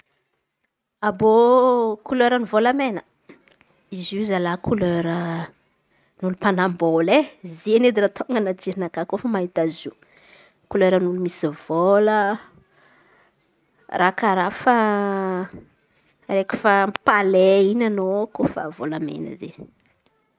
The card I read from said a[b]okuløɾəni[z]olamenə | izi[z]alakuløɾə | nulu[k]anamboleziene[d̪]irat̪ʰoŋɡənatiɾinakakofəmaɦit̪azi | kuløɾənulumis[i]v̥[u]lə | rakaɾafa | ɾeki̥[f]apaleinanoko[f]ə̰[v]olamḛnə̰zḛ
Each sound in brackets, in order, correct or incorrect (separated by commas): correct, incorrect, correct, incorrect, correct, correct, incorrect, correct, correct, correct